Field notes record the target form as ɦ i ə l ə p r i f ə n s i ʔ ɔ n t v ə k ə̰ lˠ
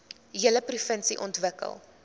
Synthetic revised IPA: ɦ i ə l ə p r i f ə n s i ʔ ɔ n t v ə k ə̰ lˠ